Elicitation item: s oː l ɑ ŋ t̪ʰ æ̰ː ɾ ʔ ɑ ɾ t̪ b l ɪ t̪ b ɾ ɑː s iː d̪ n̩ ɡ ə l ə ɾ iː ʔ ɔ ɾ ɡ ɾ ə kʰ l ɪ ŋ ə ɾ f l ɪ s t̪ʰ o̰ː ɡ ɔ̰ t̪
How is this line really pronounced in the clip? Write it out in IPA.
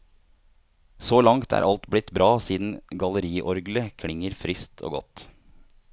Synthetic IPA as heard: s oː l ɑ ŋ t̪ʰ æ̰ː ɾ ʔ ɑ l t̪ b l ɪ t̪ b ɾ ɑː s iː d̪ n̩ ɡ ɑ l ə ɾ iː ʔ ɔ ɾ ɡ l ə kʰ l ɪ ŋ ə ɾ f ɾ ɪ s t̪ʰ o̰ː ɡ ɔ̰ t̪